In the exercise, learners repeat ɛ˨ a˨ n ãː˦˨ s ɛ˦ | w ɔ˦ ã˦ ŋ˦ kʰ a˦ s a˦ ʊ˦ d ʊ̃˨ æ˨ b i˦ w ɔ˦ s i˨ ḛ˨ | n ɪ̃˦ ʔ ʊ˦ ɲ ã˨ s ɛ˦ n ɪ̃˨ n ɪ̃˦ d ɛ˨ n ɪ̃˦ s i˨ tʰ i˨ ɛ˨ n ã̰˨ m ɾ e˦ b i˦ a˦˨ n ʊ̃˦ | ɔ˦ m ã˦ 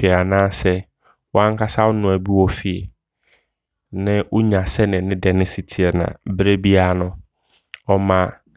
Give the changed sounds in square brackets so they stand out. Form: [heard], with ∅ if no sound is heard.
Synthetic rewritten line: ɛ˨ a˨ n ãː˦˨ s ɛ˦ | w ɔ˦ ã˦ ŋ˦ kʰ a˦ s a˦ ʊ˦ [n] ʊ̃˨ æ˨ b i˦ w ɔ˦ [f] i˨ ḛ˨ | n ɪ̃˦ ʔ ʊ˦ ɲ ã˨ s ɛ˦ n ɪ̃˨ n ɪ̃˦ d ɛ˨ n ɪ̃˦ s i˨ tʰ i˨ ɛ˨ n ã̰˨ [b] ɾ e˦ b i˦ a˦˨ n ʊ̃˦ | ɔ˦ m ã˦